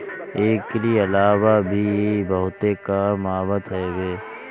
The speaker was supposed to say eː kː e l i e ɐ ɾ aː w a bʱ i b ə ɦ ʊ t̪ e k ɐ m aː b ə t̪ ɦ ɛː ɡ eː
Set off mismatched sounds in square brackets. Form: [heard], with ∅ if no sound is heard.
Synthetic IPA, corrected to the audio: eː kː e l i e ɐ [l] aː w a bʱ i b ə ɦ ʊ t̪ e k [a] m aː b ə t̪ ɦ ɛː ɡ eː